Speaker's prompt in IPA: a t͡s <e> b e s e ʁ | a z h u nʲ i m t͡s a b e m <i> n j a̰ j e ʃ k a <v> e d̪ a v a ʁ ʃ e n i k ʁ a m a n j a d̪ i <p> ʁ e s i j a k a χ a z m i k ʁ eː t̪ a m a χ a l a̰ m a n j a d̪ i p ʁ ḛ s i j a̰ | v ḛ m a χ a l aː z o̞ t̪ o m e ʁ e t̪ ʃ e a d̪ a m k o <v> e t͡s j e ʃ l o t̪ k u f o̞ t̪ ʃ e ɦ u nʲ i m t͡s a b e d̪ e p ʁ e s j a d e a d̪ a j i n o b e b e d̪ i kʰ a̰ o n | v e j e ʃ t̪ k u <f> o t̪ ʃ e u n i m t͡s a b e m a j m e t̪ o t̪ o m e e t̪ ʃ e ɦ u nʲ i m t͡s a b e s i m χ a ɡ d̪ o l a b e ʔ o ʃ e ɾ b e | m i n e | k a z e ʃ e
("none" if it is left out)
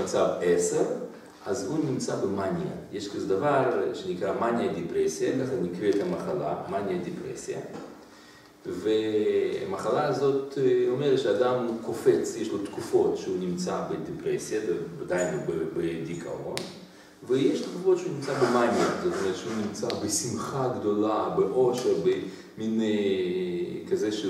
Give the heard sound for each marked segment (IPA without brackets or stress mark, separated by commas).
a, a, z, p, f, f